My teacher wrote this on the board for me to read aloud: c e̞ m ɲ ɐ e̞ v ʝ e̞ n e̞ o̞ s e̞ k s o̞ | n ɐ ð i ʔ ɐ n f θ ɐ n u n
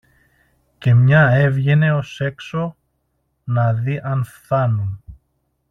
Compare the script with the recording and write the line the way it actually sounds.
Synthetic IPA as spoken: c e̞ m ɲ ɐ e̞ v ʝ e̞ n e̞ o̞ s e̞ k s o̞ | n ɐ ð i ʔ ɐ n f θ ɐ n u n